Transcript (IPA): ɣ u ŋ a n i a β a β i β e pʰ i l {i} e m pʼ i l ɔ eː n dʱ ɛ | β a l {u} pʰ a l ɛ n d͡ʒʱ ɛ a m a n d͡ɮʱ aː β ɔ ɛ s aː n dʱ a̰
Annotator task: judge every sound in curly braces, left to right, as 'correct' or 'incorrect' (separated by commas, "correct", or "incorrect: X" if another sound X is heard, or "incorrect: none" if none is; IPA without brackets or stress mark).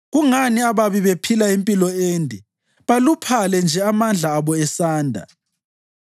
incorrect: a, correct